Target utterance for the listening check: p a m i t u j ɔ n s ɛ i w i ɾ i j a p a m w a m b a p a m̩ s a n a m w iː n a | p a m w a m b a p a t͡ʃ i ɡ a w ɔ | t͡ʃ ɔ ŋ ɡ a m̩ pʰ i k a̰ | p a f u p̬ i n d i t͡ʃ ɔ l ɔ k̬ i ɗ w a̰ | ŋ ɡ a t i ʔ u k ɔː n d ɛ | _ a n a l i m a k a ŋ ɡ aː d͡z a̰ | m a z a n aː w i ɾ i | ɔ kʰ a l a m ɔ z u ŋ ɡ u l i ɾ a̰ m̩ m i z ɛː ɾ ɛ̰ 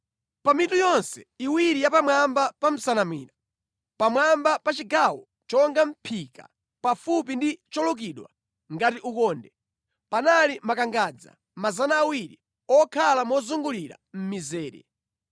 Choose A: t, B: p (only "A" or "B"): B